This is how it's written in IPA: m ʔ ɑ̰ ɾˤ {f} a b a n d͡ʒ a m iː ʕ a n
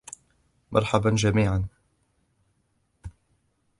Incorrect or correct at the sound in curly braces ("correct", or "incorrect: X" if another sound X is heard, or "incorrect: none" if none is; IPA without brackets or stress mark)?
incorrect: ħ